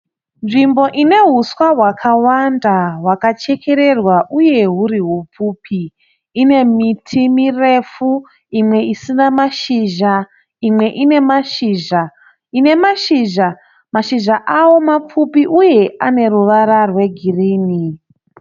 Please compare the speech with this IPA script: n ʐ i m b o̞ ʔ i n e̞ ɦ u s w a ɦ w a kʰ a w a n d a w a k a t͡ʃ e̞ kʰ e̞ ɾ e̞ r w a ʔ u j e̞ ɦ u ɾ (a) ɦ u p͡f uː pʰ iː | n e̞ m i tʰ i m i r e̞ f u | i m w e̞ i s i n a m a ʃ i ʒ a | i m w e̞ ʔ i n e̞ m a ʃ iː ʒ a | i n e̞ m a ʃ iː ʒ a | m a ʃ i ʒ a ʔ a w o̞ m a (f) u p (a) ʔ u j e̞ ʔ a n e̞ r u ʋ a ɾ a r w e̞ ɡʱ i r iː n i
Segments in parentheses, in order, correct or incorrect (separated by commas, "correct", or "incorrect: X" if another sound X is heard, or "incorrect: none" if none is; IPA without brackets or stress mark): incorrect: i, incorrect: p͡f, incorrect: i